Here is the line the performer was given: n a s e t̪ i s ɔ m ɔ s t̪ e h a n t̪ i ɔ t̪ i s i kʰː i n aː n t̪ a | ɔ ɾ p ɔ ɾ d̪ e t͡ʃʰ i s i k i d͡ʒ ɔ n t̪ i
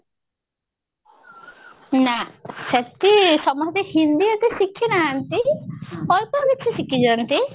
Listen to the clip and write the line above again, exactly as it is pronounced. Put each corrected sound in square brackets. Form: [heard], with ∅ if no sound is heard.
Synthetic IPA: n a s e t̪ i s ɔ m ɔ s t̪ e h [i] n [d̪] i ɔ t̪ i s i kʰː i n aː n t̪ [i] | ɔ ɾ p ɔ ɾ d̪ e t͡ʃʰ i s i k i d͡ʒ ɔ n t̪ i